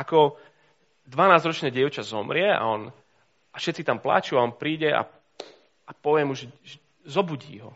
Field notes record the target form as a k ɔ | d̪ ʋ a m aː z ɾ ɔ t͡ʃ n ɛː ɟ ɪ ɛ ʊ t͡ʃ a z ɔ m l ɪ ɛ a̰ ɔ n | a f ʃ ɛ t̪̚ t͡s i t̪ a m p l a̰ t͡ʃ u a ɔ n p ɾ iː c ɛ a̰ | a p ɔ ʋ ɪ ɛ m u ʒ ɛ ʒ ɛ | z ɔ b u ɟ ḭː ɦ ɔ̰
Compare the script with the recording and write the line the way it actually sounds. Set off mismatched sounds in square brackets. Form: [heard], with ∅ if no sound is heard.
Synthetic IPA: a k ɔ | d̪ ʋ a [n] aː z ɾ ɔ t͡ʃ n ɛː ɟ ɪ ɛ ʊ t͡ʃ a z ɔ m [ɾ] ɪ ɛ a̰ ɔ n | a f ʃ ɛ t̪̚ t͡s i t̪ a m p l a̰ t͡ʃ u a ɔ n p ɾ iː [ɟ] ɛ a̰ | a p ɔ ʋ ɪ ɛ m u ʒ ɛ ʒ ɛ | z ɔ b u ɟ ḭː ɦ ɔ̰